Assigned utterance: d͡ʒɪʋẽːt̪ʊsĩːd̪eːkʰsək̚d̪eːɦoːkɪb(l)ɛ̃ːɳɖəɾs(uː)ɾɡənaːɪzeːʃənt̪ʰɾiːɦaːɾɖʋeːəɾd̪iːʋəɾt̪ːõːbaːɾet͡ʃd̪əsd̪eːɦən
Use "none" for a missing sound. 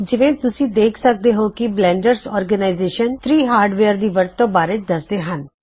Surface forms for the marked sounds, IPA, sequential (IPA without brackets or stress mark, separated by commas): l, ɔː